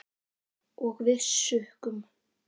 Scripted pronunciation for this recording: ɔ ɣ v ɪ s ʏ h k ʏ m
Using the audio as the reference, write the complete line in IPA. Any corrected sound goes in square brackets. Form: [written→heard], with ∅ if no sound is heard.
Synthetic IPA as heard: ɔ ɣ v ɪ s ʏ h k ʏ m